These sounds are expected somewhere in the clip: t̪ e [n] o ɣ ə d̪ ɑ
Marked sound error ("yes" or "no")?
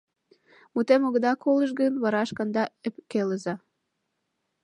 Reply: yes